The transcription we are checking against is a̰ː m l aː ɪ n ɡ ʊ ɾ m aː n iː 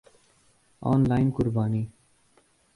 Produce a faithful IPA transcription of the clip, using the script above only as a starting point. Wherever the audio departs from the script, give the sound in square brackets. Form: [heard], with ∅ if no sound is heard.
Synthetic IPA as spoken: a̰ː [n] l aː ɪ n [k] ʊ ɾ [b] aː n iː

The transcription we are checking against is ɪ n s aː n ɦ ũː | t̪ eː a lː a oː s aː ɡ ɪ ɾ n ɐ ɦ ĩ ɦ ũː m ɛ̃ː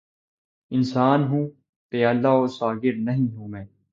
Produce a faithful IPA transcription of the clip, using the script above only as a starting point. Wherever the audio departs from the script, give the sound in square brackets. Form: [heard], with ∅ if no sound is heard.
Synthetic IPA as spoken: ɪ n s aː n ɦ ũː | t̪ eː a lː a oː s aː ɡ ɪ ɾ n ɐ ɦ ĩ ɦ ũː m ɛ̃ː

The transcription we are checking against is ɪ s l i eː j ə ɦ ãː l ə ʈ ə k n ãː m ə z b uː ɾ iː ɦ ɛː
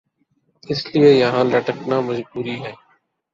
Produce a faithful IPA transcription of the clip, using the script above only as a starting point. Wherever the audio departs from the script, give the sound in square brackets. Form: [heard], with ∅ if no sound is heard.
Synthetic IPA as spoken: ɪ s l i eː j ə ɦ ãː l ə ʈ ə k n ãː m ə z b uː ɾ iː ɦ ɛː

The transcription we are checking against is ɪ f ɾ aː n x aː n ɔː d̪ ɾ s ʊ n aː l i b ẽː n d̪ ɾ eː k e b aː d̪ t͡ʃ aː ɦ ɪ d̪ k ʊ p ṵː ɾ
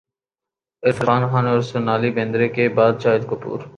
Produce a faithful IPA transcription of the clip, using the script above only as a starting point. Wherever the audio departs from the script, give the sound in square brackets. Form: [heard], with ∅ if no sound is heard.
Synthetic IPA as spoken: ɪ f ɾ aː n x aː n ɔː [∅] ɾ s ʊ n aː l i b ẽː n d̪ ɾ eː k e b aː d̪ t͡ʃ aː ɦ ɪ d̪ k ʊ p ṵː ɾ

